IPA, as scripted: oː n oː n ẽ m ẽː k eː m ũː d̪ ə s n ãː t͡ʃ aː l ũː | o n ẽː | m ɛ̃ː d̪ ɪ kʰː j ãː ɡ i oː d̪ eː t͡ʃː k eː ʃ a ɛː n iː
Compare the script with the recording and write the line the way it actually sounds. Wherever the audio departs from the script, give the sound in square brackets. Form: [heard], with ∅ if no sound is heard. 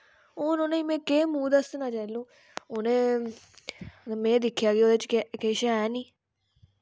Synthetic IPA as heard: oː n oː n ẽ m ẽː k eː m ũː d̪ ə s n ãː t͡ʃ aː l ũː | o n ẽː | m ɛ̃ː d̪ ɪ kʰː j [aː] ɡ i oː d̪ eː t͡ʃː k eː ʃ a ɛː n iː